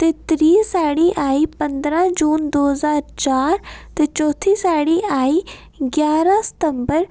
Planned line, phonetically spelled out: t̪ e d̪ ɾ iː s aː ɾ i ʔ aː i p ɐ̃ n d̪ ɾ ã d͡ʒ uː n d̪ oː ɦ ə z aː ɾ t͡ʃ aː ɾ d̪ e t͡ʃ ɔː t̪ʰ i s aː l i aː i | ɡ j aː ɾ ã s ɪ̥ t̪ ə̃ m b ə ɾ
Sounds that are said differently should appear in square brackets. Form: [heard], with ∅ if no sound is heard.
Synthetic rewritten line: t̪ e [t̪] ɾ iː s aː [ɽ] i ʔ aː i p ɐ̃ n d̪ ɾ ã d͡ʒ uː n d̪ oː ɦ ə z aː ɾ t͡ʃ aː ɾ [t̪] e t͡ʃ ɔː t̪ʰ i s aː [ɽ] i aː i | ɡ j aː ɾ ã s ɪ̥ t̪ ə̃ m b ə ɾ